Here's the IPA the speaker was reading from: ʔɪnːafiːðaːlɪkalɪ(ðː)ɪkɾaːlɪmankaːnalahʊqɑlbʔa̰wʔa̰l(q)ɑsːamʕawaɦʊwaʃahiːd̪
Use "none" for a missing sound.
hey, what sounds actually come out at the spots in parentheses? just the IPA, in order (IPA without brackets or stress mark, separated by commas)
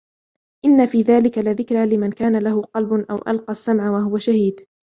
ð, q